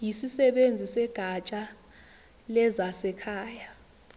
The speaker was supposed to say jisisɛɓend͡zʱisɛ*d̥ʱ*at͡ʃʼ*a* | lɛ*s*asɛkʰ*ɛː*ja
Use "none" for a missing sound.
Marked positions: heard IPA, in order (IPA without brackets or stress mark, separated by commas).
ɡ̥ʱ, a, z, aː